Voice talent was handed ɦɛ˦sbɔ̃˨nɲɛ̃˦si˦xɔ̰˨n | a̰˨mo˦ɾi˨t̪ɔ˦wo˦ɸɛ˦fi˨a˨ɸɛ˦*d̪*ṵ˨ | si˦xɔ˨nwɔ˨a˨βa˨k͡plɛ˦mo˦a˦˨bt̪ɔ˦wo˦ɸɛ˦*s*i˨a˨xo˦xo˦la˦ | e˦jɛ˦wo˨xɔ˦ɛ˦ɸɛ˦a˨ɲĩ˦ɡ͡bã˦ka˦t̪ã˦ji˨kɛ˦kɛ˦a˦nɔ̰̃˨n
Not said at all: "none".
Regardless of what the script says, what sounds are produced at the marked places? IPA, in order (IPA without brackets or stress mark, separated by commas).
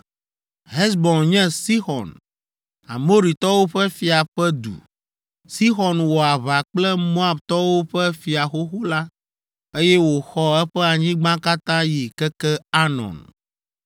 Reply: d̪, f